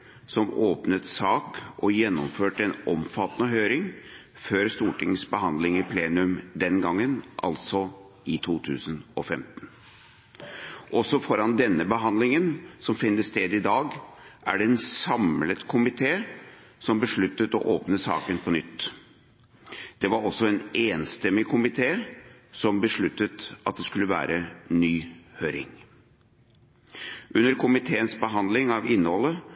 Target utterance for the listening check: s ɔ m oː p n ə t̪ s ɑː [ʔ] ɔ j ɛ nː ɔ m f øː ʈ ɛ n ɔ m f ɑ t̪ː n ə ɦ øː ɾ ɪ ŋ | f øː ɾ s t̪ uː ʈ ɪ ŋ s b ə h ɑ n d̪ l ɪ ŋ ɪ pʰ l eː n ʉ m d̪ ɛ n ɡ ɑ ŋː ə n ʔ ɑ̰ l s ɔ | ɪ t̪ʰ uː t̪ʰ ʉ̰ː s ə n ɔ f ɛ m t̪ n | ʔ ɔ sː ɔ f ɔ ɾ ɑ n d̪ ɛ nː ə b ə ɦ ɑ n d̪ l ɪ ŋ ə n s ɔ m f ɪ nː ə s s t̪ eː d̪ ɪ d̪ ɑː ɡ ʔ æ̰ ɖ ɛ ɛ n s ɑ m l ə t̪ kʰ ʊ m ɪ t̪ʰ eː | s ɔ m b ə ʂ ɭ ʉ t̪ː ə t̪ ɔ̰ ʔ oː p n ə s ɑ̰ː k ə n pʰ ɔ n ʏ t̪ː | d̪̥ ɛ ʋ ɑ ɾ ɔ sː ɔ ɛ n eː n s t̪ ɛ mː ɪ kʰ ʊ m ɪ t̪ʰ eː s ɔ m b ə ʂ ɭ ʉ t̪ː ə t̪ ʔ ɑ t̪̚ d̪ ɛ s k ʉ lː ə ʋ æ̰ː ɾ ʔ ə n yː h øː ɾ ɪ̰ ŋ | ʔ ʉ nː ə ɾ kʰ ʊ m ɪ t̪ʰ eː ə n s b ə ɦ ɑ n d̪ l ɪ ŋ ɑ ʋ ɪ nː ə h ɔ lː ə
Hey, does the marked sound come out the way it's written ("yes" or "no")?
no